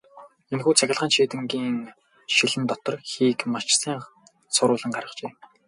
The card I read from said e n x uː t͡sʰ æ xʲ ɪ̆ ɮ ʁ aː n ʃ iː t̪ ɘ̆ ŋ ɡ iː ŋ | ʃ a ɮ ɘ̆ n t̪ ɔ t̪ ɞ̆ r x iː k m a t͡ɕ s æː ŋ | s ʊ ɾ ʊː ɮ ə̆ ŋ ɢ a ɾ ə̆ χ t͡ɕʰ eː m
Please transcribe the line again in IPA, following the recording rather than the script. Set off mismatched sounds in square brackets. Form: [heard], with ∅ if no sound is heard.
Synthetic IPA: e n x uː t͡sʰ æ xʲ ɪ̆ ɮ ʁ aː n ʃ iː t̪ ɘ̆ ŋ ɡ iː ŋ | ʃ [i] ɮ ɘ̆ n t̪ ɔ t̪ ɞ̆ r x iː k m a t͡ɕ s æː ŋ | s ʊ ɾ ʊː ɮ ə̆ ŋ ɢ a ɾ ə̆ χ [t͡ɕ] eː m